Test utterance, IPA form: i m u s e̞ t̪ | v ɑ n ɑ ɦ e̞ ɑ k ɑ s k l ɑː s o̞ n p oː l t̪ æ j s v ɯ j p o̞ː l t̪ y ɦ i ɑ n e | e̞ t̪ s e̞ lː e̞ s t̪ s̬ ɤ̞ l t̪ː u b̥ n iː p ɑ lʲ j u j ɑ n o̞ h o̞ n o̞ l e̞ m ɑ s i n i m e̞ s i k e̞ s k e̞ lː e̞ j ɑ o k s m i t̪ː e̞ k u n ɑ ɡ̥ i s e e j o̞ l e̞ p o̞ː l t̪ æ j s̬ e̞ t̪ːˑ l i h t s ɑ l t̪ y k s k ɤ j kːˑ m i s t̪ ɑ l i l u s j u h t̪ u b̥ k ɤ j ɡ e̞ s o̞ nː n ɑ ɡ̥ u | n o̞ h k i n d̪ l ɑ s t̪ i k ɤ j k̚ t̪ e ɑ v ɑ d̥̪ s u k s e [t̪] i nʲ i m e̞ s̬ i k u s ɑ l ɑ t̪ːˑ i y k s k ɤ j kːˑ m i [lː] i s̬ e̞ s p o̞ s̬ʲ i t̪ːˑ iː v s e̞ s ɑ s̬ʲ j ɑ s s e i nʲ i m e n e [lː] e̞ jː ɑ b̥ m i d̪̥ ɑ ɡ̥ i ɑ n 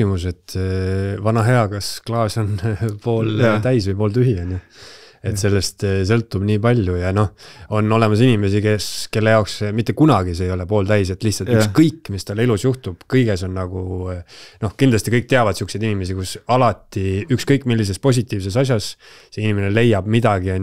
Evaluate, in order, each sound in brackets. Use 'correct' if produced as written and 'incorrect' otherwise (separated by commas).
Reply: incorrect, correct, incorrect